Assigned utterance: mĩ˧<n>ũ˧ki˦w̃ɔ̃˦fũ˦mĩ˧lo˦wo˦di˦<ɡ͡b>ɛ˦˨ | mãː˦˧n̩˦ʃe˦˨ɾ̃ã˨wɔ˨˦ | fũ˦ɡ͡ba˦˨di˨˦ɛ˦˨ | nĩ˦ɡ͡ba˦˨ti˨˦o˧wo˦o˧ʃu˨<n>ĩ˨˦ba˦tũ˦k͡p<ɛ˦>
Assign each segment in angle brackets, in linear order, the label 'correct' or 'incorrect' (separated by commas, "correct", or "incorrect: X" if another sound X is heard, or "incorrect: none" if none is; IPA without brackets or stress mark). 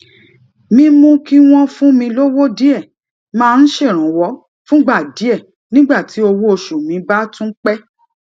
incorrect: m, incorrect: none, incorrect: m, correct